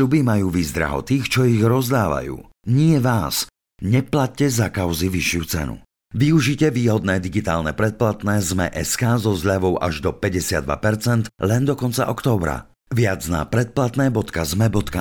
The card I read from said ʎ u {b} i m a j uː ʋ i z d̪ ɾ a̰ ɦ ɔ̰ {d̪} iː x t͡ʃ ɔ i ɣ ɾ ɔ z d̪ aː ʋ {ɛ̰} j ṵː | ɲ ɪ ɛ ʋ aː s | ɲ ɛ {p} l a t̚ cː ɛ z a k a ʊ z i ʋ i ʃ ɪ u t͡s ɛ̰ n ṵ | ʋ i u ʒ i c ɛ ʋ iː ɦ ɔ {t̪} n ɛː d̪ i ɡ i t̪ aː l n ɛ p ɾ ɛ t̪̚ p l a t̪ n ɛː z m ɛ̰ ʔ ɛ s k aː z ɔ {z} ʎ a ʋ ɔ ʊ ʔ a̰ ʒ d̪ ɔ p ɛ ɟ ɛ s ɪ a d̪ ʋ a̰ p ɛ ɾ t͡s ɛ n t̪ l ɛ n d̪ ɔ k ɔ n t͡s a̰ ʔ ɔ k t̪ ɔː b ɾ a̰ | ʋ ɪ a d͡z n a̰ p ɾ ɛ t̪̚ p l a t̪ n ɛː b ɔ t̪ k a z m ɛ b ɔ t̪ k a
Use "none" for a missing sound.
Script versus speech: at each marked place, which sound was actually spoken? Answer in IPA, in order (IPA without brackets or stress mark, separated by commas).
b, t̪, a̰, p, d̪, z